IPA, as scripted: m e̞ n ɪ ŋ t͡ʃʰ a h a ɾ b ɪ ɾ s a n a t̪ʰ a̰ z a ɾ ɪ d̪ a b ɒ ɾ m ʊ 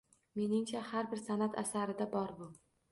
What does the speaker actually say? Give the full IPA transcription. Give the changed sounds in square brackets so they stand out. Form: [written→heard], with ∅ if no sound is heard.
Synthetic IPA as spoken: m e̞ n ɪ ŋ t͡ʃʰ a h a ɾ b ɪ ɾ s a n a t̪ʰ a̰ [z→s] a ɾ ɪ d̪ a b ɒ ɾ [m→b] ʊ